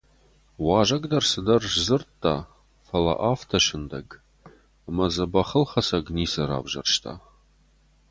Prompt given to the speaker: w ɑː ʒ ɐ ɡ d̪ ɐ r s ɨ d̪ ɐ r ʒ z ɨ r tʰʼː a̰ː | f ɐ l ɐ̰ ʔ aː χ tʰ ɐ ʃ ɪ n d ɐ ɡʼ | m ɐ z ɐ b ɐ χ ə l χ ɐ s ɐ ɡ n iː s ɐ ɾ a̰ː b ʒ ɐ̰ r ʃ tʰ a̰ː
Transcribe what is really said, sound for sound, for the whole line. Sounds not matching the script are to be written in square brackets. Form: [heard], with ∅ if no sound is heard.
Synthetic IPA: w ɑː ʒ ɐ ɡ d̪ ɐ r s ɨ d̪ ɐ r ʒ z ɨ r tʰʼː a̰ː | f ɐ l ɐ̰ ʔ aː [f] tʰ ɐ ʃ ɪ n d ɐ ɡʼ | m ɐ z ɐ b ɐ χ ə l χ ɐ s ɐ ɡ n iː s ɐ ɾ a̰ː b ʒ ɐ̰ r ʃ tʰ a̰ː